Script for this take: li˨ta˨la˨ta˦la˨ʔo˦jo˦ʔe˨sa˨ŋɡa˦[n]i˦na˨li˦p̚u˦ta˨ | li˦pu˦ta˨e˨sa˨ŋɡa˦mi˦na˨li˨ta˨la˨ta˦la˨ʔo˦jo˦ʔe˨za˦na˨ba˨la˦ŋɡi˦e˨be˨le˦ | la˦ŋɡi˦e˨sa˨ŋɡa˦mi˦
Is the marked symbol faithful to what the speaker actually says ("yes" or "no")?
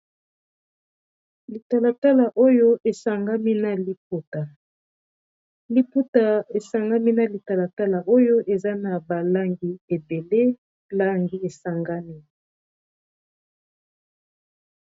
no